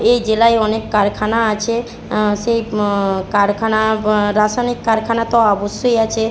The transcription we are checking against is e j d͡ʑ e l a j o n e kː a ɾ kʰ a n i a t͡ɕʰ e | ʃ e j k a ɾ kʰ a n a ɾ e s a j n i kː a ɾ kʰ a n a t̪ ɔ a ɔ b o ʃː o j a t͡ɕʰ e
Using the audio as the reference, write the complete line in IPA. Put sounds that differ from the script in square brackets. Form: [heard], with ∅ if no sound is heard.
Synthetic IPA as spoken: e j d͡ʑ e l a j [ɔ] n e kː a ɾ kʰ a n [a] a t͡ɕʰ e | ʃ e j k a ɾ kʰ a n a ɾ [a] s a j n i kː a ɾ kʰ a n a t̪ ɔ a ɔ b o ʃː o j a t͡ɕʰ e